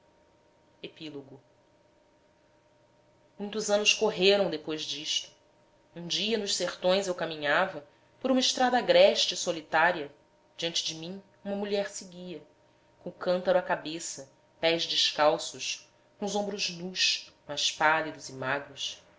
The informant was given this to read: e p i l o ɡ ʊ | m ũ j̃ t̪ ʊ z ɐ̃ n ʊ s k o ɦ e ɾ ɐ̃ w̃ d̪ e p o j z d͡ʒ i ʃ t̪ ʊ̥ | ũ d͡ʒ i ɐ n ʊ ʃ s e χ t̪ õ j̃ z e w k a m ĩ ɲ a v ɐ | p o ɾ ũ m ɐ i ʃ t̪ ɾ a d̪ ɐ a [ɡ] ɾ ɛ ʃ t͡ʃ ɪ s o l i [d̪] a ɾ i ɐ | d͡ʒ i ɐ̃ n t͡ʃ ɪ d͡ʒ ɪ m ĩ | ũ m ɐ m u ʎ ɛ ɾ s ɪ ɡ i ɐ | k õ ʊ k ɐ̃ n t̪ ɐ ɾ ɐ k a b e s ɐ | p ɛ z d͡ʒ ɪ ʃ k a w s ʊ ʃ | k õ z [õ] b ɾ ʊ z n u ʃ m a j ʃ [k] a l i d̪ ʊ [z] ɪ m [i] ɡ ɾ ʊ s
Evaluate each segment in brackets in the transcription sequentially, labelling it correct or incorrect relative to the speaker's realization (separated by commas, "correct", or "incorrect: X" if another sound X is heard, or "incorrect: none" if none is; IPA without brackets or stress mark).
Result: correct, incorrect: t̪, correct, incorrect: p, correct, incorrect: a